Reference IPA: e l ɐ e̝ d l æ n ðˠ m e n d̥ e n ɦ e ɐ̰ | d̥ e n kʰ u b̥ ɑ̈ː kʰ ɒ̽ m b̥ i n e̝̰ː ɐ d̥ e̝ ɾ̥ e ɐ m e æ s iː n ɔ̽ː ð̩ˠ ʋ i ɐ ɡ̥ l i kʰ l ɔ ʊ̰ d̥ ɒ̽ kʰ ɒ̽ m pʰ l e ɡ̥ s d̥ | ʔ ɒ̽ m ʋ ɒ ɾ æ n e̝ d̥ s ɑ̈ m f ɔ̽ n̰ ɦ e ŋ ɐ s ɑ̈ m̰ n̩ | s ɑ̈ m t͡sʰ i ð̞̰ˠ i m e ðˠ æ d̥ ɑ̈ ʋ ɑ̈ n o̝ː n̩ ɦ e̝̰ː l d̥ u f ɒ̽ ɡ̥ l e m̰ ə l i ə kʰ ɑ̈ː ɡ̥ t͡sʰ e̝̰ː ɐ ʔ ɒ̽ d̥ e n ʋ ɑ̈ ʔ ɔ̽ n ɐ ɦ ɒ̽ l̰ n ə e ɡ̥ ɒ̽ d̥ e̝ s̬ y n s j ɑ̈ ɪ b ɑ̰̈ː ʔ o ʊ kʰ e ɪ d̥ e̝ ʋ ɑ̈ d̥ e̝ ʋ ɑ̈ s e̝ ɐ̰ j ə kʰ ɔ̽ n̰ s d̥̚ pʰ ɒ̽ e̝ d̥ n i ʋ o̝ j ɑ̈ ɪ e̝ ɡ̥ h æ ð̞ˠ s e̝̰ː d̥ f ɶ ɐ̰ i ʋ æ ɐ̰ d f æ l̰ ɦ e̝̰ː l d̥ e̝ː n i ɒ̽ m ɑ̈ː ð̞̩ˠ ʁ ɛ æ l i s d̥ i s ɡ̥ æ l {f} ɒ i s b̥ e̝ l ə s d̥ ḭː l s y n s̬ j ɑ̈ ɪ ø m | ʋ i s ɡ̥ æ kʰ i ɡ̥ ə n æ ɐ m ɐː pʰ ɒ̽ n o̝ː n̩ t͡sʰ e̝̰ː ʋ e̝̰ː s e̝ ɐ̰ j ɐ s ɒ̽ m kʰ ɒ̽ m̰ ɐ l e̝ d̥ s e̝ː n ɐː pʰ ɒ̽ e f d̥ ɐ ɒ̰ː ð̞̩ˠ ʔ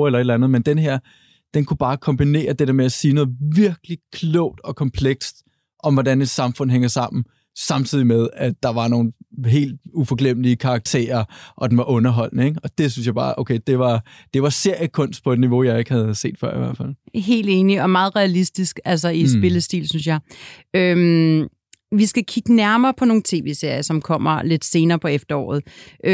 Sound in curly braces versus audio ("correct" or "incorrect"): incorrect